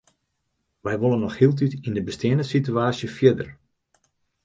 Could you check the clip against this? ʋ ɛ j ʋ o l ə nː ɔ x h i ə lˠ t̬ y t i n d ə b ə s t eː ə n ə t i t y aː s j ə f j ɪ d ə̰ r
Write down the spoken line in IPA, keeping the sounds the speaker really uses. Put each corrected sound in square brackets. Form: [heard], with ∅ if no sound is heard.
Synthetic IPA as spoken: ʋ ɛ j ʋ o l ə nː ɔ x h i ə lˠ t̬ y t i n d ə b ə s t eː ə n ə [s] i t y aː s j ə f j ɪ d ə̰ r